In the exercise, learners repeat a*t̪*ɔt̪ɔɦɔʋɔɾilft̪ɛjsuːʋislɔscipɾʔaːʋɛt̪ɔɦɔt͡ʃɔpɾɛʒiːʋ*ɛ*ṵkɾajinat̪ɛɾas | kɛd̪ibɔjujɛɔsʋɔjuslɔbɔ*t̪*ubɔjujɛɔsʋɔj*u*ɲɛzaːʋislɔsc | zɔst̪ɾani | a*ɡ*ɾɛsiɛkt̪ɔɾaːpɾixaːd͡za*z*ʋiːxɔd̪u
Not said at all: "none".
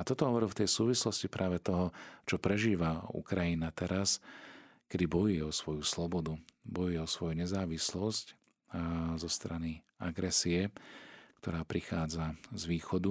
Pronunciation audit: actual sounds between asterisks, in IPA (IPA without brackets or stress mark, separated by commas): t̪, a, d̪, u, ɡ, z